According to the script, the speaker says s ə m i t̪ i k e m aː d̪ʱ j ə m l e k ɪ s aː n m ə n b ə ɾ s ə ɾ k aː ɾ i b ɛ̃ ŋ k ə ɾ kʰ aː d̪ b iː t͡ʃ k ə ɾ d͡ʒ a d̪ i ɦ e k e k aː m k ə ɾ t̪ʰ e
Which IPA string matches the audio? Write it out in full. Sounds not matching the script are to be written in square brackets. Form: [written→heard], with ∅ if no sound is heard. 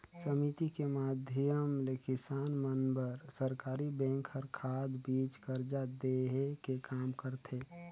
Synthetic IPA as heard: s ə m i t̪ i k e m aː d̪ʱ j ə m l e k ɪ s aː n m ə n b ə ɾ s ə ɾ k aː ɾ i b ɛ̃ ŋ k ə ɾ kʰ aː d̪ b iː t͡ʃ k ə ɾ d͡ʒ a d̪ [i→e] ɦ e k e k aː m k ə ɾ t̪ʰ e